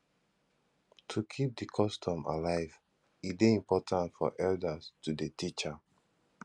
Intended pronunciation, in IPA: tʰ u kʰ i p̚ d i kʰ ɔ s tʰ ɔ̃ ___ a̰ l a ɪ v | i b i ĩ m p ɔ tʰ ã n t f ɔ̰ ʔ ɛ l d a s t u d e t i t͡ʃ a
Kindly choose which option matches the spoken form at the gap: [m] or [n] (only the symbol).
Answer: m